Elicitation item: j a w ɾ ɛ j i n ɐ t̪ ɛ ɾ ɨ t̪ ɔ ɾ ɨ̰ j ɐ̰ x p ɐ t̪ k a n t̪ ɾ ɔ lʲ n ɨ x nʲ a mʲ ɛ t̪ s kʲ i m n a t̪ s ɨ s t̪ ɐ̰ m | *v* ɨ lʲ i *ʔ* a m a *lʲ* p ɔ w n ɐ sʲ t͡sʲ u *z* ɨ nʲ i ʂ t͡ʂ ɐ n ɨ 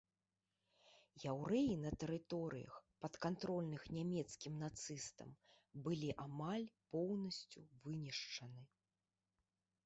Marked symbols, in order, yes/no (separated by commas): no, yes, yes, no